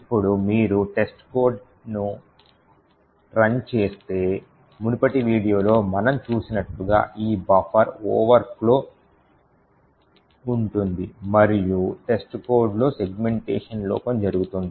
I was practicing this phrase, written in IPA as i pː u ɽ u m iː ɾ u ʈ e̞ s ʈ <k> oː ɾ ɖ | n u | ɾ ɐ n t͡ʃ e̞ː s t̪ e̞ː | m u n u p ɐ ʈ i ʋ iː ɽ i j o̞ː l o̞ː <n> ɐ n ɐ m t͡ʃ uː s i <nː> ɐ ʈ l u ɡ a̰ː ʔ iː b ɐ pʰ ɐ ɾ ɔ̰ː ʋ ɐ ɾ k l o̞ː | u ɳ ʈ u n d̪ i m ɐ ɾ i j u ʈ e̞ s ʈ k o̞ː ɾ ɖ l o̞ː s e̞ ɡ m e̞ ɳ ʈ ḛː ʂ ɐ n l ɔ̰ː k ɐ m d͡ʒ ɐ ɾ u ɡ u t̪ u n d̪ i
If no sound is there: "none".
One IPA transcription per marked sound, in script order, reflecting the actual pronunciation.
k, m, n

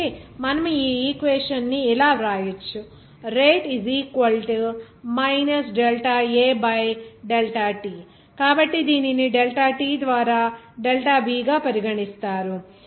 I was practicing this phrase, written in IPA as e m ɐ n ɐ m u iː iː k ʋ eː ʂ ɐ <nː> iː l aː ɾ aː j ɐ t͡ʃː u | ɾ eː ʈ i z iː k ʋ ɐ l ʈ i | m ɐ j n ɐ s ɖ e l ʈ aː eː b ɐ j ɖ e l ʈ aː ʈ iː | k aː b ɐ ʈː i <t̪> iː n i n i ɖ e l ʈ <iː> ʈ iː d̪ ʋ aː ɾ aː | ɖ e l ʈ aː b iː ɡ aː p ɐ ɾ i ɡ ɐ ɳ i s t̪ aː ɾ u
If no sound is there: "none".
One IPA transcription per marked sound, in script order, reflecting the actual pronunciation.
nː, d̪, aː

